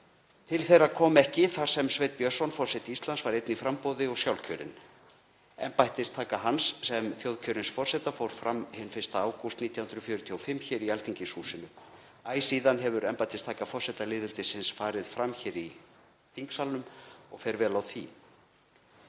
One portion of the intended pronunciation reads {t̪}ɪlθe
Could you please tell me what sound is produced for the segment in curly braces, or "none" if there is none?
t̪ʰ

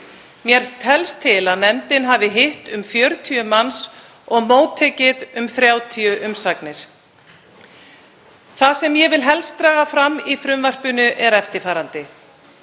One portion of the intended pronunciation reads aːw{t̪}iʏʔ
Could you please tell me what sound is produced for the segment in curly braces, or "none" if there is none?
t̪ʰ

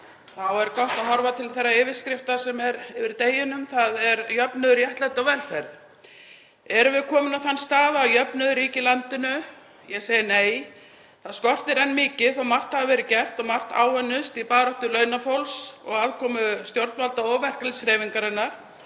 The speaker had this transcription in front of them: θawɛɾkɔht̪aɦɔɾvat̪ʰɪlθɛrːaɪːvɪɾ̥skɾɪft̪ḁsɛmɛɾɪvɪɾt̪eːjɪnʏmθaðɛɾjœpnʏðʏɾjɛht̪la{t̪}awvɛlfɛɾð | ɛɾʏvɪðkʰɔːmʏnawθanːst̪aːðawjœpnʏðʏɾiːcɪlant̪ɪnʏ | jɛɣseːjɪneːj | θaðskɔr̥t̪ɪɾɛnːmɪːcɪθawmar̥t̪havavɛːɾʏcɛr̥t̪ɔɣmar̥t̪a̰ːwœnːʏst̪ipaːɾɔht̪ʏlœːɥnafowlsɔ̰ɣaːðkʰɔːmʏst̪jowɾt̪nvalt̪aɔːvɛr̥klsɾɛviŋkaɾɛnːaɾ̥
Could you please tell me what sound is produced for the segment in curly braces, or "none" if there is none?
t̪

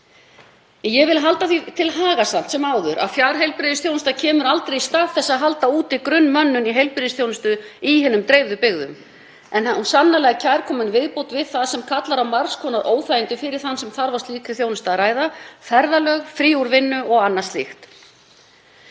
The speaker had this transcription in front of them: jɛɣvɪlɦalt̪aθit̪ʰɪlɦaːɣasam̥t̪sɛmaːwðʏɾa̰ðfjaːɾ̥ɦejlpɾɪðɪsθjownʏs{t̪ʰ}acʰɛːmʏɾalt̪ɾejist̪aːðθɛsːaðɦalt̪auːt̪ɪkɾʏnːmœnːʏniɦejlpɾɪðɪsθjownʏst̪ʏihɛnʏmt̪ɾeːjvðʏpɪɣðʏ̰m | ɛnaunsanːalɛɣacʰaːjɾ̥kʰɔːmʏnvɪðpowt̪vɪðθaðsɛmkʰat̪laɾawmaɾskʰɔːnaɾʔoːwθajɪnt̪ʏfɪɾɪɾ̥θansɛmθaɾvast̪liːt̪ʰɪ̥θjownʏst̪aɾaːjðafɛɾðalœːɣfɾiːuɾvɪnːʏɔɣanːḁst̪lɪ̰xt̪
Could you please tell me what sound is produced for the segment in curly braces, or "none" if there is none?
t̪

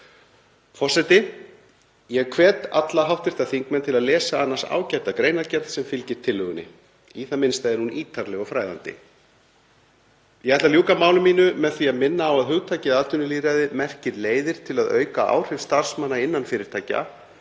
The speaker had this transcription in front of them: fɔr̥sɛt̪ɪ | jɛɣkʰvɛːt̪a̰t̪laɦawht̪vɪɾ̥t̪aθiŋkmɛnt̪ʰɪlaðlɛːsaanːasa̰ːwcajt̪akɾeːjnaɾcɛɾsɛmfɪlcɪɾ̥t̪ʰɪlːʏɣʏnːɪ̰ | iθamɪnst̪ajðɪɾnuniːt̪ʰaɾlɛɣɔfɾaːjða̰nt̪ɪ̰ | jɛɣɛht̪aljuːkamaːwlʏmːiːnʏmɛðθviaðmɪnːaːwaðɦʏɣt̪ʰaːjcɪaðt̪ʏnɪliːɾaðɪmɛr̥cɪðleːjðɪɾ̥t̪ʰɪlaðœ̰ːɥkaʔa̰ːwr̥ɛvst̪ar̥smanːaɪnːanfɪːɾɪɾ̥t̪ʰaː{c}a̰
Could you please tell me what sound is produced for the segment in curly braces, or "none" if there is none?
c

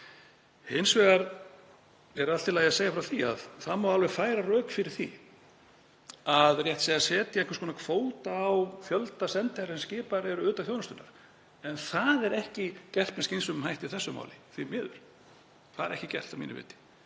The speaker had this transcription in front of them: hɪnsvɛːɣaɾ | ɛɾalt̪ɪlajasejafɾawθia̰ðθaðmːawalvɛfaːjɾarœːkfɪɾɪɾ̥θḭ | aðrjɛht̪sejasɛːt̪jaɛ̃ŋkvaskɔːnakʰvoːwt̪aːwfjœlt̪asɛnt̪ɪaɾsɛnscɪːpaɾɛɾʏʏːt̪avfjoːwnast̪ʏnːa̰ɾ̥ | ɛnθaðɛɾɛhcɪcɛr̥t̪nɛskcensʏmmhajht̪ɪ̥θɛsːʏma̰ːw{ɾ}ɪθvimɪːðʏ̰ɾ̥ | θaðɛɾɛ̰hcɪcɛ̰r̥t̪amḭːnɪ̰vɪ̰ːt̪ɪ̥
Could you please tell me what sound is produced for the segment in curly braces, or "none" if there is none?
l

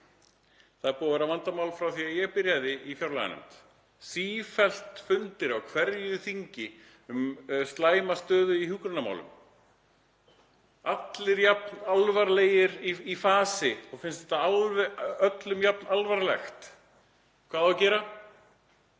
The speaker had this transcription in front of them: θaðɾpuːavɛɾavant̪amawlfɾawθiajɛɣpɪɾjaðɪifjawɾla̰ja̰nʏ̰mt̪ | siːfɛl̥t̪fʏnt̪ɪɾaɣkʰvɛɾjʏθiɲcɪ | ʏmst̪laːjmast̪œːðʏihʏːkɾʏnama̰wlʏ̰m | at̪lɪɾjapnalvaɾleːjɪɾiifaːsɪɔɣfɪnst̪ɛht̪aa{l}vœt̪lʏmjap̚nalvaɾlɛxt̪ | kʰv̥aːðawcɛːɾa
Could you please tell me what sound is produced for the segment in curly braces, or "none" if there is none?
l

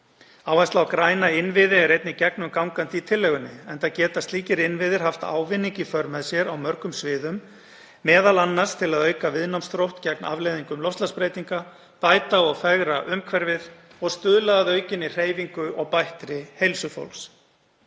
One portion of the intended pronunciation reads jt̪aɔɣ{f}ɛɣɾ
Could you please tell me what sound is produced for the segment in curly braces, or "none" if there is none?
f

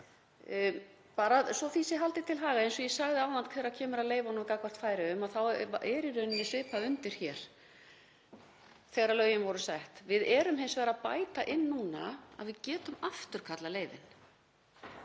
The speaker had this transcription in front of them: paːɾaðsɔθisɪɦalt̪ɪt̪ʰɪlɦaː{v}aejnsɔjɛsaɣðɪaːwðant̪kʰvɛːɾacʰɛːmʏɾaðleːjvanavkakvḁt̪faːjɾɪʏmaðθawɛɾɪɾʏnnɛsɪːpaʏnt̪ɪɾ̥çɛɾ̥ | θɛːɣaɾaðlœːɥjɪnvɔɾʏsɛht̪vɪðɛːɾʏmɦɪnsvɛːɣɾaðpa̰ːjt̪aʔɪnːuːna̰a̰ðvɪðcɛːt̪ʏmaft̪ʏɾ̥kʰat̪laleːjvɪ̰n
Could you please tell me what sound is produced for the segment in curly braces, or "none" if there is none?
ɣ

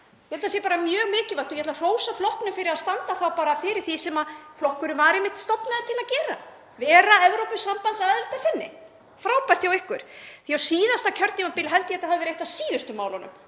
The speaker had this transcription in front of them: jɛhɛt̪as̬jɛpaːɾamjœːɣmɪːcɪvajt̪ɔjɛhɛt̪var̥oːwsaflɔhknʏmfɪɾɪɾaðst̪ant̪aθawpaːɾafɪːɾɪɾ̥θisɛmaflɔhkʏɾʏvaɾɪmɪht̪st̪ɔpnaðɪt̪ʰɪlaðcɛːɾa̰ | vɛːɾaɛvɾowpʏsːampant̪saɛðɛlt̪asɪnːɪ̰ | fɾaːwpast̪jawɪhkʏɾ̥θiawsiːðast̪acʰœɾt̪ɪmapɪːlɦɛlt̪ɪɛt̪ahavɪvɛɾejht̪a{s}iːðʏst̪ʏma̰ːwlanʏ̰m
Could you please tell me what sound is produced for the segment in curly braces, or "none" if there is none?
s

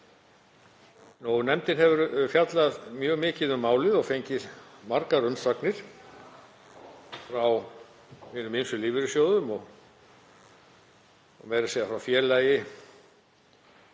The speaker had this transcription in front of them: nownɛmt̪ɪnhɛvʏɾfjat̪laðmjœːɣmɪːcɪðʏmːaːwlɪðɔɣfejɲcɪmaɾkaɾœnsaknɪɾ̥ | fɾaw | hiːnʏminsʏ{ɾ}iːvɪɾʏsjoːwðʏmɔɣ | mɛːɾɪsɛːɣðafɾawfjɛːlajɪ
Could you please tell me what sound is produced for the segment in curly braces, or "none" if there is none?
l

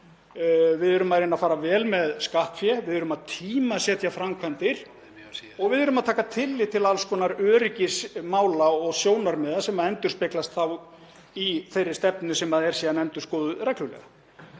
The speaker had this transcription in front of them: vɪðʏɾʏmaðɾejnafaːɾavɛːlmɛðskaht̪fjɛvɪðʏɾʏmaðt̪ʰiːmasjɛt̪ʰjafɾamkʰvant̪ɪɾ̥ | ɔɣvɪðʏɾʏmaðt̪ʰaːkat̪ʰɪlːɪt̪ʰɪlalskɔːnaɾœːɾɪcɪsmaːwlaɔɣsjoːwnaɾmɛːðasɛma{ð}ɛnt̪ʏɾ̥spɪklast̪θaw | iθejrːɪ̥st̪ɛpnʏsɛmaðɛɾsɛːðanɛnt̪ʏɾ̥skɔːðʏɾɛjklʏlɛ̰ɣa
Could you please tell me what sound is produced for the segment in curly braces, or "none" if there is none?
ð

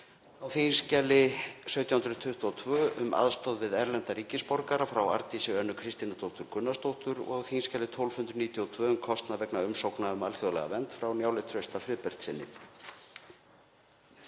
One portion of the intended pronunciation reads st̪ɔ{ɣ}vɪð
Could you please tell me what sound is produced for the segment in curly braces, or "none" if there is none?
ð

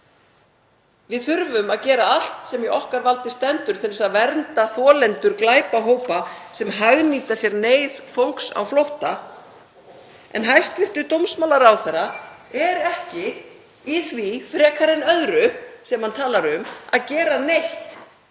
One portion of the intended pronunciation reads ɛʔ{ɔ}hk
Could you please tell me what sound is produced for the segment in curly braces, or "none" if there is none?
ɔ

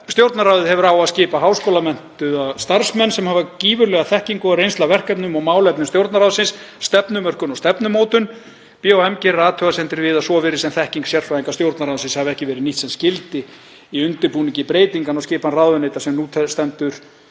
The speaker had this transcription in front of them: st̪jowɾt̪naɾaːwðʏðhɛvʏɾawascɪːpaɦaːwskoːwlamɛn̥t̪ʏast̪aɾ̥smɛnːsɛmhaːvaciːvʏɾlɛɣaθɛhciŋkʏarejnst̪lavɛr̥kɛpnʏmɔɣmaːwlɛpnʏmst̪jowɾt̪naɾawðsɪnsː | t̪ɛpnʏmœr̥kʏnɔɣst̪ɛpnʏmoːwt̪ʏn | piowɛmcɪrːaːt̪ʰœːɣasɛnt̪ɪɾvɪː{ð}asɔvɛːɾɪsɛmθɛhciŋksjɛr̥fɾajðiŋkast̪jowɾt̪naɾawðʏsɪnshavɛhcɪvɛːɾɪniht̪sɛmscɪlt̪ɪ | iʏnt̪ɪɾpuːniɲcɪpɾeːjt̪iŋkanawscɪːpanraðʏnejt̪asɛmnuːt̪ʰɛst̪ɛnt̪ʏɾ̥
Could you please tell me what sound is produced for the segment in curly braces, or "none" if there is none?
ð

